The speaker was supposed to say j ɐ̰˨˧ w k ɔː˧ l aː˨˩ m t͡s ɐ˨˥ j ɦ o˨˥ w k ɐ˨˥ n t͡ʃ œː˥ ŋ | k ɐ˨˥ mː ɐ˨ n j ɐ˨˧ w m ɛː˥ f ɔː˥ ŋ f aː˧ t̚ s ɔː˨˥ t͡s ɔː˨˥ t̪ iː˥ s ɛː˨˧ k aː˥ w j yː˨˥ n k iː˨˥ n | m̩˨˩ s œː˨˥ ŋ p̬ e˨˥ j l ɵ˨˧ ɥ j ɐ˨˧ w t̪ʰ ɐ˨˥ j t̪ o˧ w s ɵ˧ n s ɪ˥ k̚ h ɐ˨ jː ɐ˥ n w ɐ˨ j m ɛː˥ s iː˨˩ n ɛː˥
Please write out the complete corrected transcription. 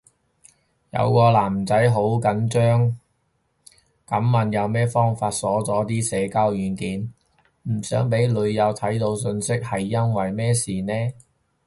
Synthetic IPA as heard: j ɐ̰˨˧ w k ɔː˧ l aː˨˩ m t͡s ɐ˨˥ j ɦ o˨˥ w k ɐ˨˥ n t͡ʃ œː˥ ŋ | k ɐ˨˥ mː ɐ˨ n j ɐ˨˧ w m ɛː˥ f ɔː˥ ŋ f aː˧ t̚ s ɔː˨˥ t͡s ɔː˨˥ t̪ iː˥ s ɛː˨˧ k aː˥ w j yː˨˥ n k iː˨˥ n | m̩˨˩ s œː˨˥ ŋ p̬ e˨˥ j l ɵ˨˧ ɥ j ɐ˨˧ w t̪ʰ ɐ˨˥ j t̪ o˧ w s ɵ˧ n s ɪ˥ k̚ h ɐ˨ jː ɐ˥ n w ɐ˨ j m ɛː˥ s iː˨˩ n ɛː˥